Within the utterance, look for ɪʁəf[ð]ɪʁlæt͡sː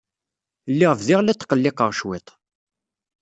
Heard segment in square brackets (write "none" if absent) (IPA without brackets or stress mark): ð